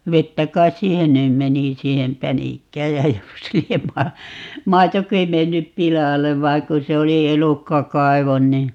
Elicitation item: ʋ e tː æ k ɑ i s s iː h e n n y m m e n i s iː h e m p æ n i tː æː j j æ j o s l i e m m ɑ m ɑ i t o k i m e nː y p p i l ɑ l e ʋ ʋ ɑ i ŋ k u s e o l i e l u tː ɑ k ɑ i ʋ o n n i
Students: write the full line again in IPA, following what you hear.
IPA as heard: ʋ e tː æ k ɑ i s s iː h e n n y m m e n i s iː h e m p æ n i kː æː j j æ j o s l i e m m ɑ m ɑ i t o k i m e nː y p p i l ɑ l e ʋ ʋ ɑ i ŋ k u s e o l i e l u kː ɑ k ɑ i ʋ o n n i

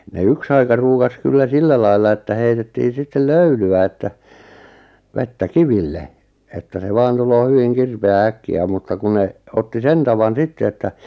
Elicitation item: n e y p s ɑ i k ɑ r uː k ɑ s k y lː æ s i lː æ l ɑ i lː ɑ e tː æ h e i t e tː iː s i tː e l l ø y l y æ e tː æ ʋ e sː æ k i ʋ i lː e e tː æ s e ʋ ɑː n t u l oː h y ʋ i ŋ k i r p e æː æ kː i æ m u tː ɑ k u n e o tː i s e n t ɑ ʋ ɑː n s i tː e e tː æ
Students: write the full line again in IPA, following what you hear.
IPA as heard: n e y k s ɑ i k ɑ r uː k ɑ s k y lː æ s i lː æ l ɑ i lː ɑ e tː æ h e i t e tː iː s i tː e l l ø y l y æ e tː æ ʋ e tː æ k i ʋ i lː e e tː æ s e ʋ ɑː n t u l oː h y ʋ i ŋ k i r p e æː æ kː i æ m u tː ɑ k u n e o tː i s e n t ɑ ʋ ɑ n s i tː e e tː æ

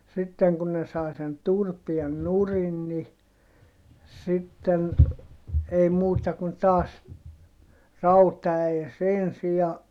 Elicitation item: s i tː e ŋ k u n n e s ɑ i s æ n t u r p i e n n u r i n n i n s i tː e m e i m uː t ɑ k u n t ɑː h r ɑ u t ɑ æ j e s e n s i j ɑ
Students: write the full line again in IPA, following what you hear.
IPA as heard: s i tː e ŋ k u n n e s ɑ i s e n t u r p i e n n u r i n n i s i tː e n e i m uː t ɑ k u n t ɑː s r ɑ u t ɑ æ j e s e n s i j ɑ

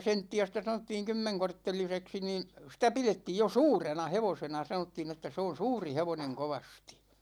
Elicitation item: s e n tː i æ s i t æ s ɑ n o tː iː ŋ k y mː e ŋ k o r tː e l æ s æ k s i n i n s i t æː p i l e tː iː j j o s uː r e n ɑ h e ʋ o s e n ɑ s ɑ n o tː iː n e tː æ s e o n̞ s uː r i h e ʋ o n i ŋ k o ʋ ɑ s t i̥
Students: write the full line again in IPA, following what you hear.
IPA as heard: s e n tː i æ s i t æ s ɑ n o tː iː ŋ k y mː e ŋ k o r tː e l i s e k s i n iː n s i t æ p i l e tː iː j j o s uː r e n ɑ h e ʋ o s e n ɑ s ɑ n o tː iː n e tː æ s e o n̞ s uː r i h e ʋ o n e ŋ k o ʋ ɑ s t i̥

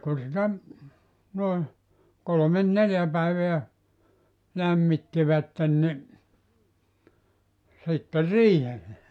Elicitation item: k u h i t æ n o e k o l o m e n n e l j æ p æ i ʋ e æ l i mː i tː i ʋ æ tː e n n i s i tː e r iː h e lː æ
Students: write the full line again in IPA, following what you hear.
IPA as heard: k u s i t æ n o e k o l o m e n n e l j æ p æ i ʋ e æ l æ mː i tː i ʋ æ tː e n n i s i tː e r iː h e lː e

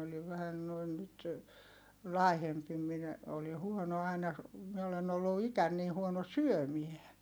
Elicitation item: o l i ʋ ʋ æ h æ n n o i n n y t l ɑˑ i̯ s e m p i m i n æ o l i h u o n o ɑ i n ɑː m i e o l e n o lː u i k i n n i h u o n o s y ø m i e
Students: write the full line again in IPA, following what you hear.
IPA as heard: o l i ʋ ʋ æ h æ n n o i n n y t l ɑˑ i̯ h e m p i m i n æ o l i h u o n o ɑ i n ɑ m i e o l e n o lː u i k æ n n iː h u o n o s y ø m i e

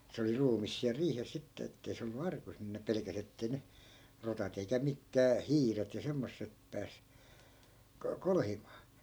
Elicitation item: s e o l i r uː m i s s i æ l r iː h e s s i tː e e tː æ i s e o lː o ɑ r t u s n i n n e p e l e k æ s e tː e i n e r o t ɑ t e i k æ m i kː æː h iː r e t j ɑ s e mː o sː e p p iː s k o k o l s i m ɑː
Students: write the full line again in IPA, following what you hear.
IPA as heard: s e o l i r uː m i s s i æ l r iː h e s s i tː e e tː e i s e o lː u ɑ r k u s n i n n e p e l e k æ s e tː e i n e r o t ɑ t e i k æ m i kː æː h iː r e t j ɑ s e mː o sː e p p æː s k o k o l h i m ɑː

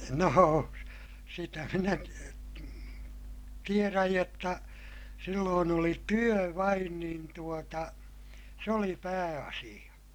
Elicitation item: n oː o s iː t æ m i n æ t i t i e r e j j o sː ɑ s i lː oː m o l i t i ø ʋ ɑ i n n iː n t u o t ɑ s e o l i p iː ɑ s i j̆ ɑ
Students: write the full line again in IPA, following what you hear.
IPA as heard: n oː o s i t æ m i n æ t i t i e r æ j j o tː ɑ s i lː oː n o l i t y ø ʋ ɑ i n n iː n t u o t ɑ s e o l i p æː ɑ s i j̆ ɑ

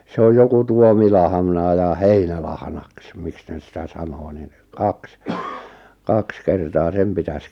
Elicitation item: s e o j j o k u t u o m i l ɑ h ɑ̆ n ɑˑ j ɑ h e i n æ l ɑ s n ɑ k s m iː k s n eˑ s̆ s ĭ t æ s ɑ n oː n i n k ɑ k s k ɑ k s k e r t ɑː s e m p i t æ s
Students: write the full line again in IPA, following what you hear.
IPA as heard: s e o j j o k u t u o m i l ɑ h ɑ̆ n ɑˑ j ɑ h e i n æ l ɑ h n ɑ k s m i k s n eˑ s̆ s ĭ t æ s ɑ n oː n i n k ɑ k s k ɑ k s k e r t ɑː s e m p i t æ s

